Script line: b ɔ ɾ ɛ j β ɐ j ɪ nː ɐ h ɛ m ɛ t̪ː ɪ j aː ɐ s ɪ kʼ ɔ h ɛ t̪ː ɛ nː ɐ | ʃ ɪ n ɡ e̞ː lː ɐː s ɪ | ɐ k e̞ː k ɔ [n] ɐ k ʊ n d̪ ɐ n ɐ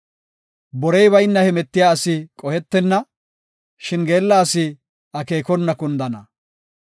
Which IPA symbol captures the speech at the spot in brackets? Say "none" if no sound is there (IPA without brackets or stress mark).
nː